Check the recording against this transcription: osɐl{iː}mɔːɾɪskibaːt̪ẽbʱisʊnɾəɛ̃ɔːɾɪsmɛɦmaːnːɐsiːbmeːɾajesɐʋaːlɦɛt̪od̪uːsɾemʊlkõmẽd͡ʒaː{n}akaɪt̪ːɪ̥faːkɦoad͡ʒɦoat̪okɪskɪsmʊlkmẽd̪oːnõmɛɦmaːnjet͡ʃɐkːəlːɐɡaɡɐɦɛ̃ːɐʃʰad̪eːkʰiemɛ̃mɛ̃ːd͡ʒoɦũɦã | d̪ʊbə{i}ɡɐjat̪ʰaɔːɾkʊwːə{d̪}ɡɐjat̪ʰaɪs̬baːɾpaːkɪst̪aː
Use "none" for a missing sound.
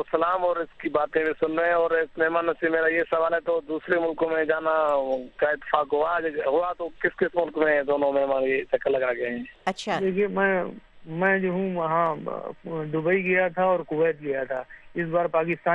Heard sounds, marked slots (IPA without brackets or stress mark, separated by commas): aː, n, i, t̪